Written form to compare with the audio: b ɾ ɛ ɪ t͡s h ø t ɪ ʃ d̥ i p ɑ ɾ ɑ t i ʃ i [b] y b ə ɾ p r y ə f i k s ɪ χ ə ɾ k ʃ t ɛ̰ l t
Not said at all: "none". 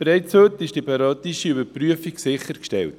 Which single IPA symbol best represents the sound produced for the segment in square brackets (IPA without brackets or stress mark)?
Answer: none